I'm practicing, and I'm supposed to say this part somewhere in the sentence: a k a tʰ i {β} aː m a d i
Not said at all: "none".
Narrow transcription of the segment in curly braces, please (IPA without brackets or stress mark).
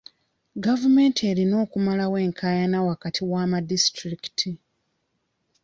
w